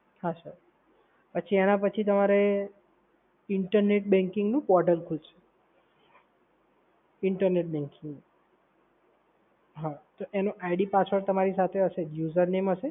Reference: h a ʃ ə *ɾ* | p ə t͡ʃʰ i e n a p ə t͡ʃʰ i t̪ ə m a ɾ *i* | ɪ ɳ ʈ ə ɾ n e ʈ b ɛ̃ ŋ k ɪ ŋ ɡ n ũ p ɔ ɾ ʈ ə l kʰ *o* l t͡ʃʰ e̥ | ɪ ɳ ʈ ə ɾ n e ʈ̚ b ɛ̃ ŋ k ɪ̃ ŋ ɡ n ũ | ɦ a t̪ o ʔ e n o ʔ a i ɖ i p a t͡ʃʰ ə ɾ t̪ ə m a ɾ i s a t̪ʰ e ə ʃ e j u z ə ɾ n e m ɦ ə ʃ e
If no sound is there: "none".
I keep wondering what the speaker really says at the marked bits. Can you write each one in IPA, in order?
ɾ, e, u

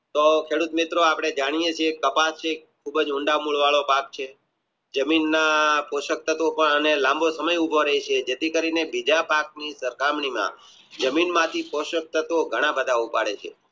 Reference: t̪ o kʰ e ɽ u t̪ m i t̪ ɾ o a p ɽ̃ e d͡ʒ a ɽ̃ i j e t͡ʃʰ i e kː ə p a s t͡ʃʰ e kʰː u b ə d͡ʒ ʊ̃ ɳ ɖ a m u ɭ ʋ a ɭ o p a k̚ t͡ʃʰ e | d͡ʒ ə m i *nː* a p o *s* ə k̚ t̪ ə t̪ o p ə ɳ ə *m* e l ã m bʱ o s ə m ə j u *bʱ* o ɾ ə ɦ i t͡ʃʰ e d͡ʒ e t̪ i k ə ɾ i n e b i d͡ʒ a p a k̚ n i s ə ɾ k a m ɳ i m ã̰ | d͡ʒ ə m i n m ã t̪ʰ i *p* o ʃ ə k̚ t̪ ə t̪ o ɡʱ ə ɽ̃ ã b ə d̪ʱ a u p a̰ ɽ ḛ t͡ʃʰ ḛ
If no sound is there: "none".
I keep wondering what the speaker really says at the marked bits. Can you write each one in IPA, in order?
nː, ʃ, n, bʱ, p

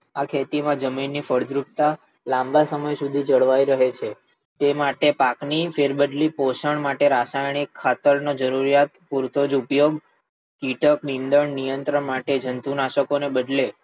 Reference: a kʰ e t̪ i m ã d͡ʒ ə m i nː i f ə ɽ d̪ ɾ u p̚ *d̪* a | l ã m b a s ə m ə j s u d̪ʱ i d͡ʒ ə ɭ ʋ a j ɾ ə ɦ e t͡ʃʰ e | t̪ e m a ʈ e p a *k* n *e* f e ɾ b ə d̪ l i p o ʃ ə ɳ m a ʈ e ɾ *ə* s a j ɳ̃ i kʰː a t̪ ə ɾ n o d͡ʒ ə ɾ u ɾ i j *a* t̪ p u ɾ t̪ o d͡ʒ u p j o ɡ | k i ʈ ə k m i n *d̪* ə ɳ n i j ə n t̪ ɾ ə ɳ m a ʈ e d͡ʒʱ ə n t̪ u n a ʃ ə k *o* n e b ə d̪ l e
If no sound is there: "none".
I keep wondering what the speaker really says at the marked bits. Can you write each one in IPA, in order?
t̪, k, i, a, a, d̪, o

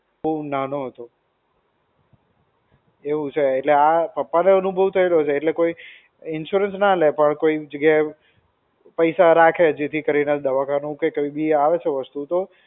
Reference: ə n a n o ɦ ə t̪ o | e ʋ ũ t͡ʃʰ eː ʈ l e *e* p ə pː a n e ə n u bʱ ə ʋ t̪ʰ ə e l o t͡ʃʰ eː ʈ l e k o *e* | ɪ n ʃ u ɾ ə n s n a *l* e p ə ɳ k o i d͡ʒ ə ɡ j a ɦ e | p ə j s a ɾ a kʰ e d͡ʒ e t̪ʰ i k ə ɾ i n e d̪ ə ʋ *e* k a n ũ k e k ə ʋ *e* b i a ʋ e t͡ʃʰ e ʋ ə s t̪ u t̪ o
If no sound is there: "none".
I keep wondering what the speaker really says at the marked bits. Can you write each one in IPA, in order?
a, i, l, a, i

